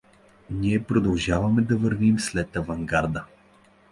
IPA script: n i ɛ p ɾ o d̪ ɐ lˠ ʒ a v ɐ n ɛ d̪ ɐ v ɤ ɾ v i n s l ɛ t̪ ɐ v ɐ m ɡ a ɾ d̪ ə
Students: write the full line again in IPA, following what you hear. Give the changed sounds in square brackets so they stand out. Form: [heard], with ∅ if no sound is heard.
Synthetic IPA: n i ɛ p ɾ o d̪ ɐ lˠ ʒ a v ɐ [m] ɛ d̪ ɐ v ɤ ɾ v i [m] s l ɛ t̪ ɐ v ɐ [ŋ] ɡ a ɾ d̪ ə